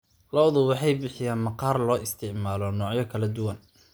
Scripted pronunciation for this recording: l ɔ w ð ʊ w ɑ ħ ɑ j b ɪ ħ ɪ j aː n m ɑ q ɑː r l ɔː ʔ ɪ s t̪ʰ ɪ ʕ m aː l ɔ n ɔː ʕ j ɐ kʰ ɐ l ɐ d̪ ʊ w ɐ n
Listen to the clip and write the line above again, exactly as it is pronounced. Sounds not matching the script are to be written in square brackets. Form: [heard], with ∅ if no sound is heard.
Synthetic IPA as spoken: l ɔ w ð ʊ w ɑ ħ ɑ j b ɪ ħ ɪ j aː n m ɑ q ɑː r l ɔː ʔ ɪ s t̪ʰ ɪ ʕ m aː l ɔ n ɔː ʕ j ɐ kʰ ɐ l ɐ d̪ ʊ w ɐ n